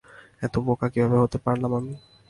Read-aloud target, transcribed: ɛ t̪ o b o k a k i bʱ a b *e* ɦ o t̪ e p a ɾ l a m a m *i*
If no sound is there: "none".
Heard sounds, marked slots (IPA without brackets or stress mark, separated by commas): e, i